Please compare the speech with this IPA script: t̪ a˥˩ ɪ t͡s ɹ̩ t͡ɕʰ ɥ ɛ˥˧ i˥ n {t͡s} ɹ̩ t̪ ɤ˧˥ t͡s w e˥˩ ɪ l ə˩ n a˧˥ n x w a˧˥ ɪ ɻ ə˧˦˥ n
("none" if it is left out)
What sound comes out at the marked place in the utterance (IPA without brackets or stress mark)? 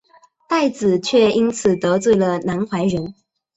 t͡sʰ